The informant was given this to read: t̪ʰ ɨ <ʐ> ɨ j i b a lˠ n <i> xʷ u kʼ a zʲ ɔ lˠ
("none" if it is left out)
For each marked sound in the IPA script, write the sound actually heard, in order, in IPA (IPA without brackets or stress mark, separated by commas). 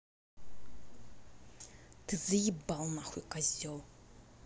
z, a